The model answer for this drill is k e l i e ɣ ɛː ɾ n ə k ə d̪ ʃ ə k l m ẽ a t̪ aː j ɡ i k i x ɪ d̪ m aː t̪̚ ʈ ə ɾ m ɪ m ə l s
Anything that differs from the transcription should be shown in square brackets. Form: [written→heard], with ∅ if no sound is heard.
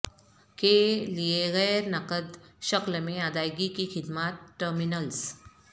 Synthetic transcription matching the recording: k e l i e ɣ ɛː ɾ n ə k ə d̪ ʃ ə k l m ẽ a [t̪→d̪] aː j ɡ i k i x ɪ d̪ m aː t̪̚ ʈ ə ɾ m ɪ [m→n] ə l s